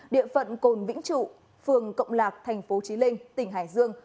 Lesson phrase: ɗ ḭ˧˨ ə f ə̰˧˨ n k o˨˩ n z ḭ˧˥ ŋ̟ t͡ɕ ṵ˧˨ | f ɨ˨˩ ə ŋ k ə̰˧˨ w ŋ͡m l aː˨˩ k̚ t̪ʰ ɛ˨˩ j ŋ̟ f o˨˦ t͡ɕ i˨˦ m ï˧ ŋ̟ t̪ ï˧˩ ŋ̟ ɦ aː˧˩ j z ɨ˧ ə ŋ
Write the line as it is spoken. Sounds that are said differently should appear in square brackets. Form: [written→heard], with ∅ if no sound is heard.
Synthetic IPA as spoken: ɗ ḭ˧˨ ə f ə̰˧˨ n k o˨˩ n [z→v] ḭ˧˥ ŋ̟ t͡ɕ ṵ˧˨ | f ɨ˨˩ ə ŋ k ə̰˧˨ w ŋ͡m l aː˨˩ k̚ t̪ʰ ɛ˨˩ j ŋ̟ f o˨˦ t͡ɕ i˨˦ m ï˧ ŋ̟ t̪ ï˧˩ ŋ̟ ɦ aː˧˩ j z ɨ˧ ə ŋ